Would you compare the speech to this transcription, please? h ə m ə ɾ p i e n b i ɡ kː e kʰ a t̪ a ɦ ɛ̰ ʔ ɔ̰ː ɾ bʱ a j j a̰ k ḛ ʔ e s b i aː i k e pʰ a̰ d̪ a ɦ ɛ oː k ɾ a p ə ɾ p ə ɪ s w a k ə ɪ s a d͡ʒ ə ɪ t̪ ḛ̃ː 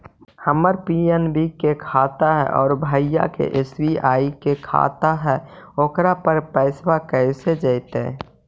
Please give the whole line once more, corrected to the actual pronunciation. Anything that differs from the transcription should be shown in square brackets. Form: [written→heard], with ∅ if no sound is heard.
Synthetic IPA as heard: h ə m ə ɾ p i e n b i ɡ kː e kʰ a t̪ a ɦ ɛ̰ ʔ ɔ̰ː ɾ bʱ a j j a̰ k ḛ ʔ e s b i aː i k e [pʰ→kʰ] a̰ [d̪→t̪] a ɦ ɛ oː k ɾ a p ə ɾ p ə ɪ s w a k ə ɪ s [a→e] d͡ʒ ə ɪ t̪ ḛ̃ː